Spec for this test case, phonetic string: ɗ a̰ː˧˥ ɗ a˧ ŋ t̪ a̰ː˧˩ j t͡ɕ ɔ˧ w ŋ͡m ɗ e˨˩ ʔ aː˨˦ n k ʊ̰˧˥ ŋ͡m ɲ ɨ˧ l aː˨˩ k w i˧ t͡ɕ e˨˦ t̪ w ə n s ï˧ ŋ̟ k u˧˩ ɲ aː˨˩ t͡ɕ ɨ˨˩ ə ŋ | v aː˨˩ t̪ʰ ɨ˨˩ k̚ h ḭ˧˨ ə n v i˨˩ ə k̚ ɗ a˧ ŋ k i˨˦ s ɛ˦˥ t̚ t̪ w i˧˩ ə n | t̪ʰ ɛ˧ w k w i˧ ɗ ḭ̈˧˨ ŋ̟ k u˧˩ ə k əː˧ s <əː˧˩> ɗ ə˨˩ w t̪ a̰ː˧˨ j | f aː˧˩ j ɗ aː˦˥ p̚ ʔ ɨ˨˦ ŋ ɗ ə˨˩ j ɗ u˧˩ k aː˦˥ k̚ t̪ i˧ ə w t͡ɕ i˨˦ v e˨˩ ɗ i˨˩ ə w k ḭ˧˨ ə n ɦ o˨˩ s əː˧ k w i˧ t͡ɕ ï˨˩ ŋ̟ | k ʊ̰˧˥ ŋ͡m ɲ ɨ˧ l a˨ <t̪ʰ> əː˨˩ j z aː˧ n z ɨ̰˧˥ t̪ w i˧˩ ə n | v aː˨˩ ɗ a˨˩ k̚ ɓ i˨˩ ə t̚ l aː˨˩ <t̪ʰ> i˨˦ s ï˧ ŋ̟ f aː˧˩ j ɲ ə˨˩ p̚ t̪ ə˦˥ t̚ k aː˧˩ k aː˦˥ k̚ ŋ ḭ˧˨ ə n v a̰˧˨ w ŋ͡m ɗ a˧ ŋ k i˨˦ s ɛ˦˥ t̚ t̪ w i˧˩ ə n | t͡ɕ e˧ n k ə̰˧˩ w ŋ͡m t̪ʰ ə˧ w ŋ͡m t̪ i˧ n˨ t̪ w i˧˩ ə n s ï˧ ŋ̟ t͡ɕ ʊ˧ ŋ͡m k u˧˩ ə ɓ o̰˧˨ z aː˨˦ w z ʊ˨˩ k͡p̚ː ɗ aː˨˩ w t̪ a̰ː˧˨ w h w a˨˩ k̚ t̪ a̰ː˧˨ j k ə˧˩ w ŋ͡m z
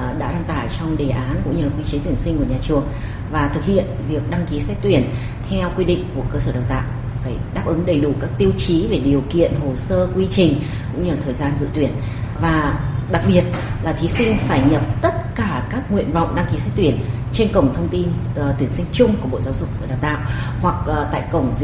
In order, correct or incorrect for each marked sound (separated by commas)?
correct, correct, correct